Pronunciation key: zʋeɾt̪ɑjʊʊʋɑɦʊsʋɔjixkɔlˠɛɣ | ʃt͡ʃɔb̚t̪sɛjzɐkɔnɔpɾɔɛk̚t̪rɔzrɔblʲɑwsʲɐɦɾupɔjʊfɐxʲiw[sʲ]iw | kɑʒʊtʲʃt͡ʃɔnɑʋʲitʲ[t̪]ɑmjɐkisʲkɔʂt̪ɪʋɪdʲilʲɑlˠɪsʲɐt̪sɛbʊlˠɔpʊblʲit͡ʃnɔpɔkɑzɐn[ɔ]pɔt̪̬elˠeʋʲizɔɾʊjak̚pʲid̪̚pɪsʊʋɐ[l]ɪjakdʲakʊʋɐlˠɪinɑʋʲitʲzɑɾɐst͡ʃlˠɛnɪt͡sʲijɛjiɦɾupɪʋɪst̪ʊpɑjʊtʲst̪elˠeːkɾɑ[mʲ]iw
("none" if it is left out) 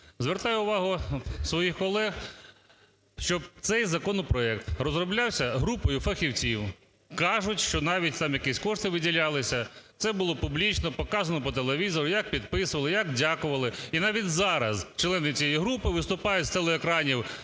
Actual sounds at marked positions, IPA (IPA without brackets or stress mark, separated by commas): t͡sʲ, t̪, ɔ, l, nʲ